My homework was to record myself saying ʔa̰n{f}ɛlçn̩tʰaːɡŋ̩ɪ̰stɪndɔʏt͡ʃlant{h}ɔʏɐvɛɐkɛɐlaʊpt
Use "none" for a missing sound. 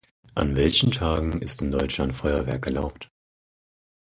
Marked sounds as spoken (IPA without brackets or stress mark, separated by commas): v, f